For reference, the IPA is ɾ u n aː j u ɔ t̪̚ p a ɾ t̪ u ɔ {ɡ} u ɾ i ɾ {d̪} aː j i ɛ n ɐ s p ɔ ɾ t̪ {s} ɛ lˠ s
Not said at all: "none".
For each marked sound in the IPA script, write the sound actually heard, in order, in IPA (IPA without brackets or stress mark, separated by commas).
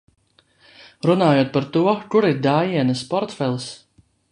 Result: k, d̪, f